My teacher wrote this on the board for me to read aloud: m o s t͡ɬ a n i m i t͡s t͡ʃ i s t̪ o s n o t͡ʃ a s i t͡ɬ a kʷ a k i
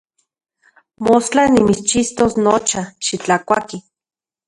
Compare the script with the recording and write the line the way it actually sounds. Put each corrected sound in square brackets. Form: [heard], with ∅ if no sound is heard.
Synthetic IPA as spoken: m o s t͡ɬ a n i m i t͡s t͡ʃ i s t̪ o s n o t͡ʃ a [ʃ] i t͡ɬ a kʷ a k i